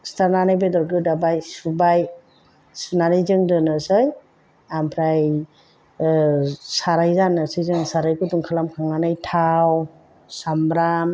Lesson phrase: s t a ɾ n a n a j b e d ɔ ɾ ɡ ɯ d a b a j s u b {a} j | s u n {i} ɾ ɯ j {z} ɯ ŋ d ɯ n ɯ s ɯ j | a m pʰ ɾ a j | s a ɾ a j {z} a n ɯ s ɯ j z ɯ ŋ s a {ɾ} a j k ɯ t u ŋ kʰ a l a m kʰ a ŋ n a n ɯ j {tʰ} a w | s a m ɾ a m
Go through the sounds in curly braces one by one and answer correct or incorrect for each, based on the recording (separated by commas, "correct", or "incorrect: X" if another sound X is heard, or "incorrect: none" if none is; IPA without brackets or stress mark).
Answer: correct, incorrect: a, correct, correct, correct, correct